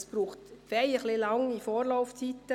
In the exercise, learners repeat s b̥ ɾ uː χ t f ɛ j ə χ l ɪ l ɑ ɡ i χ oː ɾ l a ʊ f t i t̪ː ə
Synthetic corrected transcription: s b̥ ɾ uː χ t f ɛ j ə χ l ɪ l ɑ ŋ i f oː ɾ l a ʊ f t͡s i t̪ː ə

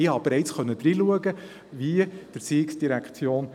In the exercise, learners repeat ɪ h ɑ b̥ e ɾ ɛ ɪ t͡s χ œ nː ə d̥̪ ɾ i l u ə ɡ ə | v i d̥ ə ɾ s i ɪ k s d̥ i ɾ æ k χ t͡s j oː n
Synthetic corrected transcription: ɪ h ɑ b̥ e ɾ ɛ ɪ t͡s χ œ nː ə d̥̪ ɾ i l u ə ɡ ə | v i d̥ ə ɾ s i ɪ k s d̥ i ɾ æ k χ t͡s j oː n

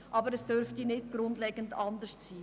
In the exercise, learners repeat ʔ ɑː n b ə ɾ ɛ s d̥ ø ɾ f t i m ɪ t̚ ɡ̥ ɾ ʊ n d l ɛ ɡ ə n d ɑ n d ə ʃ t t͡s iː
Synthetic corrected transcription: ʔ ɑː b ə ɾ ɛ s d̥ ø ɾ f t i n ɪ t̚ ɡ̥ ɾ ʊ n d l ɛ ɡ ə n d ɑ n d ə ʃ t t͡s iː

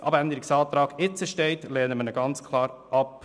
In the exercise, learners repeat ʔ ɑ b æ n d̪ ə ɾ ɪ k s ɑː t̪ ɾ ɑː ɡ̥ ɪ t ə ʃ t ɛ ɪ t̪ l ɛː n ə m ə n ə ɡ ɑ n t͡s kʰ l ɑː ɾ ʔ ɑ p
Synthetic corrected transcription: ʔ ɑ b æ n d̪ ə ɾ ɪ k s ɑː t̪ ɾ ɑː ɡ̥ ɪ t͡s ə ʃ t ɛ ɪ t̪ l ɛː n ə m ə n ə ɡ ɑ n t͡s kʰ l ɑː ɾ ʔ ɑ p

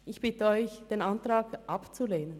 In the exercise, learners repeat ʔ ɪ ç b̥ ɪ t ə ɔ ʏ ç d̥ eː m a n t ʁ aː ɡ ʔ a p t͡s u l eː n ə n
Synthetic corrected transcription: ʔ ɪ ç b̥ ɪ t ə ɔ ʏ ç d̥ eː n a n t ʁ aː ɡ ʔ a p t͡s u l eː n ə n

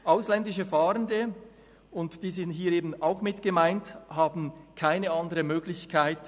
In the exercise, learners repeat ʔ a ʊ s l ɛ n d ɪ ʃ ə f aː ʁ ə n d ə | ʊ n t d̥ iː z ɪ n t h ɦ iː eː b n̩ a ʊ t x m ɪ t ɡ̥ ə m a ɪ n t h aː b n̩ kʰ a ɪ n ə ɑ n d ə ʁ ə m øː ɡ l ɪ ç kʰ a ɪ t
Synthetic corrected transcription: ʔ a ʊ s l ɛ n d ɪ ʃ ə f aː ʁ ə n d ə | ʊ n t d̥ iː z ɪ n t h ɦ iː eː b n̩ a ʊ x m ɪ t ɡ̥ ə m a ɪ n t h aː b n̩ kʰ a ɪ n ə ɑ n d ə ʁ ə m øː ɡ l ɪ ç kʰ a ɪ t

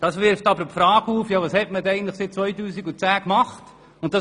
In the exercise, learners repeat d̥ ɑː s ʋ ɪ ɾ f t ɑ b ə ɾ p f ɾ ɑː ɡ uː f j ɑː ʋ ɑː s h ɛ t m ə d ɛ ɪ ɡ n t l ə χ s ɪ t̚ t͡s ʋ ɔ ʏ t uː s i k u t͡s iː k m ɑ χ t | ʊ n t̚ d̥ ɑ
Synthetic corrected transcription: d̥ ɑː s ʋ ɪ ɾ f t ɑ b ə ɾ p f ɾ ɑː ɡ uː f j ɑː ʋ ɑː s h ɛ t m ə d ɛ ɪ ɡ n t l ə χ s ɪ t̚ t͡s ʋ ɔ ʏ t uː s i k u t͡s æː k m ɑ χ t | ʊ n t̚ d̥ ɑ

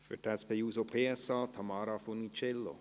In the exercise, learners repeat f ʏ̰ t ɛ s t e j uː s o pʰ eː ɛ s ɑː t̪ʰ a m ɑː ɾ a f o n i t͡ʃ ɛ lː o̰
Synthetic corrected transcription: f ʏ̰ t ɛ s p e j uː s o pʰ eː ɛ s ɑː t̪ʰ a m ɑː ɾ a f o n i t͡ʃ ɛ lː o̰

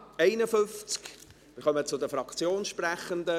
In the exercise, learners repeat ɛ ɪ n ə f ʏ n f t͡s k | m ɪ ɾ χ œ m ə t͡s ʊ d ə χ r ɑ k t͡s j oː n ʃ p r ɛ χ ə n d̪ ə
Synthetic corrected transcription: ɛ ɪ n ə f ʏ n f t͡s k | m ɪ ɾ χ œ m ə t͡s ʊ d ə f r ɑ k t͡s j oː n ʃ p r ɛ χ ə n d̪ ə

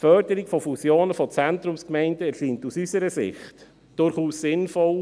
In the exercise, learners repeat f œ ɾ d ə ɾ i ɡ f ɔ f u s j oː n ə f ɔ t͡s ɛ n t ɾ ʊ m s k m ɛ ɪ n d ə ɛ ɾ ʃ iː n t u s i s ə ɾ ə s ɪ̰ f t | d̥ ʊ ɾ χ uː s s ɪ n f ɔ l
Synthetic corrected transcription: f œ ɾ d ə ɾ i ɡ f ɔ f u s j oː n ə f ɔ t͡s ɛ n t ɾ ʊ m s k m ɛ ɪ n d ə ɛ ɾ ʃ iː n t u s y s ə ɾ ə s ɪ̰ χ t | d̥ ʊ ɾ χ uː s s ɪ n f ɔ l

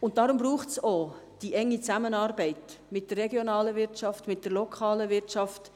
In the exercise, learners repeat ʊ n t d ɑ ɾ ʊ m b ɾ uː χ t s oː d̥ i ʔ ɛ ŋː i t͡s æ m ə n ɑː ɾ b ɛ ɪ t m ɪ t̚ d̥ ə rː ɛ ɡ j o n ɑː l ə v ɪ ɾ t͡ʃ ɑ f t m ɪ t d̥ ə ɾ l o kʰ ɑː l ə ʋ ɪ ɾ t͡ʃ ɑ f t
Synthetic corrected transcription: ʊ n t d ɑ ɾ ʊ m b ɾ uː χ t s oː d̥ i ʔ ɛ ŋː i t͡s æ m ə n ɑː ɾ b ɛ ɪ t m ɪ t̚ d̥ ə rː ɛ ɡ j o n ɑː l ə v ɪ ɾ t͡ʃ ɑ f t m ɪ t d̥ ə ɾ l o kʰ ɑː l ə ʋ ɪ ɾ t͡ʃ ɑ f t

